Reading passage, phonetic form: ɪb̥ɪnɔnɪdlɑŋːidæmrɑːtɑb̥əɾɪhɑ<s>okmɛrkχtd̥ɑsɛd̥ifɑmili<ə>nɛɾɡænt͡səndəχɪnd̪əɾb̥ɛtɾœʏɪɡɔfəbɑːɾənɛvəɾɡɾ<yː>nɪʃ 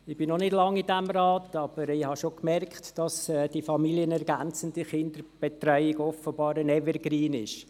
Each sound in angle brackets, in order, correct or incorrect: incorrect: ʃ, correct, incorrect: iː

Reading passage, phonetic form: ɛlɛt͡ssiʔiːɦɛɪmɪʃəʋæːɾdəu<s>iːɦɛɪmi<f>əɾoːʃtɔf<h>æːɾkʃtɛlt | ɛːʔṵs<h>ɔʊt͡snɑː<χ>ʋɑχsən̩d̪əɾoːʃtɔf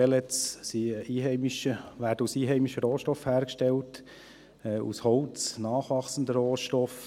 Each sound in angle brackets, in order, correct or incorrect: correct, incorrect: ʃ, correct, correct, correct

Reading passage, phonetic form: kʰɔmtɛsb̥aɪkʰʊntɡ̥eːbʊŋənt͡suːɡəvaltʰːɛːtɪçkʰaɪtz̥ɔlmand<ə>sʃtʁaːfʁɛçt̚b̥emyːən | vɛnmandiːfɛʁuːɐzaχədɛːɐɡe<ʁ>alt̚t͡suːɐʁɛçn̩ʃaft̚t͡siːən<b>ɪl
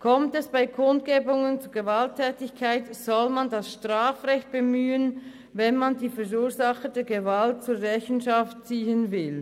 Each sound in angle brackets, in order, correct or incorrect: incorrect: a, incorrect: v, incorrect: v

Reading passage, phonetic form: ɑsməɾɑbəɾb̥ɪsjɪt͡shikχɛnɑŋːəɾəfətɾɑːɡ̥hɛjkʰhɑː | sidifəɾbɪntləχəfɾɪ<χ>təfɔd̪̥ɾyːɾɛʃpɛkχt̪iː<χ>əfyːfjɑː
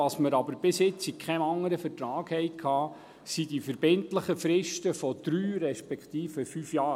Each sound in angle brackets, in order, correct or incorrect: incorrect: ʃ, incorrect: f

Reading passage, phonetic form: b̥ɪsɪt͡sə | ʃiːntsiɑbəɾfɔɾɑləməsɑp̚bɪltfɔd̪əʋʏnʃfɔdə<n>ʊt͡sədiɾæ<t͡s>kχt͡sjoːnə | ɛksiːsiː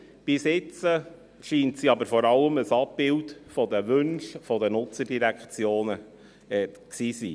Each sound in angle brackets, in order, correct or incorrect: correct, incorrect: none

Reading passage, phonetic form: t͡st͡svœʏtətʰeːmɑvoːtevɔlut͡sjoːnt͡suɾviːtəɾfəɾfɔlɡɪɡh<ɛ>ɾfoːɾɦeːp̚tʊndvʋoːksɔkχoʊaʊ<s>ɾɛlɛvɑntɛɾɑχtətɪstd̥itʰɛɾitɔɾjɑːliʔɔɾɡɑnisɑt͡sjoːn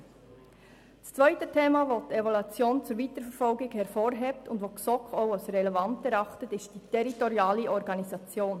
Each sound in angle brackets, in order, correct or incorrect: correct, correct

